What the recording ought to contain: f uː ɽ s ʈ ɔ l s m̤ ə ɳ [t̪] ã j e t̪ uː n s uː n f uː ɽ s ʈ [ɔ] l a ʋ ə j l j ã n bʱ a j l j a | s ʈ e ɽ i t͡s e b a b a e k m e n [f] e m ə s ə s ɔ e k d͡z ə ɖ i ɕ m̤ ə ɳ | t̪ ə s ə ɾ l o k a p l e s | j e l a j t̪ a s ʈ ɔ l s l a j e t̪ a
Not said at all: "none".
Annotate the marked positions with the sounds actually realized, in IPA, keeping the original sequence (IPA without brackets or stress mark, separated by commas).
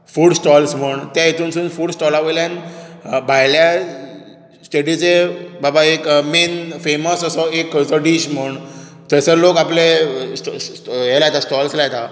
t̪, ɔ, f